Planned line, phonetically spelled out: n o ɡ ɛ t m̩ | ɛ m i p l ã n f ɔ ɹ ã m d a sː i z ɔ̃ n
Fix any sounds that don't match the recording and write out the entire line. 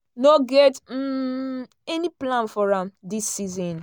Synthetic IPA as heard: n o ɡ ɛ t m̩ | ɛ n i p l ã n f ɔ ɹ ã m d i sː i z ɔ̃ n